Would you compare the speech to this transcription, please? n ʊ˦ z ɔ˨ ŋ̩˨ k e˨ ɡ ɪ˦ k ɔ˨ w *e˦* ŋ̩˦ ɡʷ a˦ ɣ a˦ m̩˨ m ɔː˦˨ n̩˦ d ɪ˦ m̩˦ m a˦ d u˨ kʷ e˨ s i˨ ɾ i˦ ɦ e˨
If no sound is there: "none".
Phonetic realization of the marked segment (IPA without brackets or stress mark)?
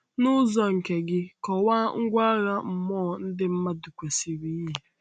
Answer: a˦